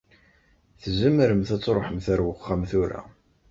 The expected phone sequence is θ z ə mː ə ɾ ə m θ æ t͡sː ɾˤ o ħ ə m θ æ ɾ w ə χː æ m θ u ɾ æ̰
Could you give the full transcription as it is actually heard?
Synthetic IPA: θ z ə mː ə ɾ ə m θ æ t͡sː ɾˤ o ħ ə m θ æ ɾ w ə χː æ m θ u ɾ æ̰